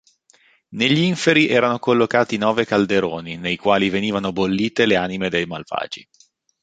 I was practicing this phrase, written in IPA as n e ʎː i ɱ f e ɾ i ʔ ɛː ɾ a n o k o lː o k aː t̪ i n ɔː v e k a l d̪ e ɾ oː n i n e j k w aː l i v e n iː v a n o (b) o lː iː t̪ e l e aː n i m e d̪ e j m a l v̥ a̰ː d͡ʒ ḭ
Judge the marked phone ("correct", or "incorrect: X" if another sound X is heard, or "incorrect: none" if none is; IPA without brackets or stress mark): correct